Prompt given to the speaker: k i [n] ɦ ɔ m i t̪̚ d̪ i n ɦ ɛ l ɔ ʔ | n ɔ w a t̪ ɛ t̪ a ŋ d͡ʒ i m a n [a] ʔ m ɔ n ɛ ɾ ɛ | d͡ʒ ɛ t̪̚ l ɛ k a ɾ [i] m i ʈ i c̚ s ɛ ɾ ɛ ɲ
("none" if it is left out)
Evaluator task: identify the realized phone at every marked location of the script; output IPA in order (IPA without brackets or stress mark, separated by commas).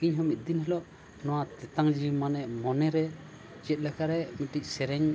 ɲ, ɛ, ɛ